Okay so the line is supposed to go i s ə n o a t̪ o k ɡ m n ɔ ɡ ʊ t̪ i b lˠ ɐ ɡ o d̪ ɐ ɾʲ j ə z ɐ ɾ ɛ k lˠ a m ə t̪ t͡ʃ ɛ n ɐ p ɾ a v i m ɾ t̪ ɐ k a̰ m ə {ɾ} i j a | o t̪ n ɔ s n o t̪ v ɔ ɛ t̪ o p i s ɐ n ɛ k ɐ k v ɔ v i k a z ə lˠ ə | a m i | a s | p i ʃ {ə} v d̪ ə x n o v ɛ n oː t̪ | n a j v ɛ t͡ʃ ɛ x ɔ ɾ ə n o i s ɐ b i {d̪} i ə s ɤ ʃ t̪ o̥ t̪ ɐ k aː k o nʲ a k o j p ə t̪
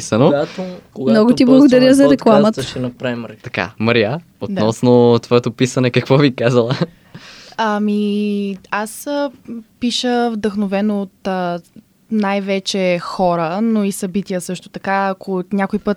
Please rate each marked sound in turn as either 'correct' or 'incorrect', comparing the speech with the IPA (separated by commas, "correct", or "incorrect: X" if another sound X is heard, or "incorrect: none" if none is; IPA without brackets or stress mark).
correct, correct, incorrect: t̪